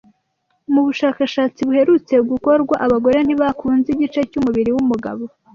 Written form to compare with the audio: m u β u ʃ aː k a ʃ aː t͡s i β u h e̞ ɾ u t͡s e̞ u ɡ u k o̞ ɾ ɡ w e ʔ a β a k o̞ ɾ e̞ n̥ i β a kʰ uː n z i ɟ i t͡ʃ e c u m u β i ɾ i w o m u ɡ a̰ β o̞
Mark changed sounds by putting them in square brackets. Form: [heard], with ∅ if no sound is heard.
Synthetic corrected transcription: m u β u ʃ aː k a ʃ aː t͡s i β u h e̞ ɾ u t͡s e̞ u ɡ u k o̞ ɾ ɡ w [a] ʔ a β a [ɡ] o̞ ɾ e̞ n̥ i β a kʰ uː n z i ɟ i t͡ʃ e c u m u β i ɾ i w [u] m u ɡ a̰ β o̞